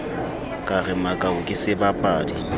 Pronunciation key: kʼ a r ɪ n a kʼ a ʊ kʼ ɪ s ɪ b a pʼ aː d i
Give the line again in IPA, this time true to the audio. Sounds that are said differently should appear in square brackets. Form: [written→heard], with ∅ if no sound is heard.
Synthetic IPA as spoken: kʼ a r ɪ [n→m] a kʼ a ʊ kʼ ɪ s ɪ b a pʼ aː d i

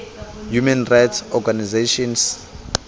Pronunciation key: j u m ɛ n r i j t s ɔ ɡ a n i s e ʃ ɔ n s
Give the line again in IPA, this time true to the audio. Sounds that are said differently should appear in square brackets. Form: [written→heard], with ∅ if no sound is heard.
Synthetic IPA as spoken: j u m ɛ n r [i→a] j t s ɔ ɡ a n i [s→z] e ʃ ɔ n s

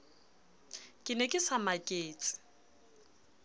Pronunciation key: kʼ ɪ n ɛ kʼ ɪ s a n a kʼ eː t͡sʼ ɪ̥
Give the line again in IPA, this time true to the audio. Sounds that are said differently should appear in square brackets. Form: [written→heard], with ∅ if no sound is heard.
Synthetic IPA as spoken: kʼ ɪ n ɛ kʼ ɪ s a [n→m] a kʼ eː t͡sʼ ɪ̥

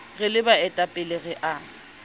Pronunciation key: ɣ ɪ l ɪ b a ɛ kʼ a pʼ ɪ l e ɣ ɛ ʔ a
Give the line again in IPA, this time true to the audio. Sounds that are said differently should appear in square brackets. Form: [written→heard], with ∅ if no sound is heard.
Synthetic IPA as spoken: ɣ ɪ l ɪ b a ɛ [kʼ→tʼ] a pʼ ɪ l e ɣ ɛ ʔ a

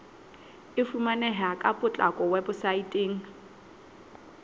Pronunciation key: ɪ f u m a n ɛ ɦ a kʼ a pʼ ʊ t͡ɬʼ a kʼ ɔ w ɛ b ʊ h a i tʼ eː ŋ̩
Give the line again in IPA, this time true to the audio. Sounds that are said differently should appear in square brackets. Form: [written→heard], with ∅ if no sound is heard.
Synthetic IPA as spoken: ɪ f u m a n ɛ ɦ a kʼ a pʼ ʊ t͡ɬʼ a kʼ ɔ w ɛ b ʊ [h→s] a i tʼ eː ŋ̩

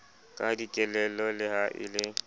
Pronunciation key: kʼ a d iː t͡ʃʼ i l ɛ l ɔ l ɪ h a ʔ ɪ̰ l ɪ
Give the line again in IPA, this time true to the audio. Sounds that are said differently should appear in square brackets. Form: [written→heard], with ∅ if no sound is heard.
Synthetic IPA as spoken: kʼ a d [iː→i] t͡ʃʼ [i→ɛ] l ɛ l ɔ l ɪ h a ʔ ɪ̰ l ɪ

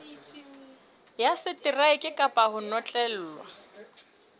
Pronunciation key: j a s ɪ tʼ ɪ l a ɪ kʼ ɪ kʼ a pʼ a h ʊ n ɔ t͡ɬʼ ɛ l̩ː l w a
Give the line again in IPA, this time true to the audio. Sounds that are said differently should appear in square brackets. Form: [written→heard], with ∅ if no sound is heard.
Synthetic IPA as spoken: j a s ɪ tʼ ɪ [l→r] a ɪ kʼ ɪ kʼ a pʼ a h ʊ n ɔ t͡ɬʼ ɛ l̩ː l w a

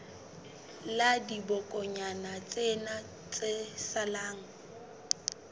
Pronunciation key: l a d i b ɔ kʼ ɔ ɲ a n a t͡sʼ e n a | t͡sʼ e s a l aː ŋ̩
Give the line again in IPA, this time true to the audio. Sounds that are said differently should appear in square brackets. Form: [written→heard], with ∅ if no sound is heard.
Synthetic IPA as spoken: l a d i b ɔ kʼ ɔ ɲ a n a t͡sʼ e n a | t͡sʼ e s a l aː ŋ̩

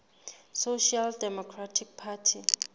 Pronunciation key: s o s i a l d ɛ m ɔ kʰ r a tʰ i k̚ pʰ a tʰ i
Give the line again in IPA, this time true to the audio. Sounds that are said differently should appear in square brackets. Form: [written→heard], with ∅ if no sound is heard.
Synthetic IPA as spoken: s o [s→ʃ] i a l d ɛ m ɔ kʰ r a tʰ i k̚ pʰ a tʰ i

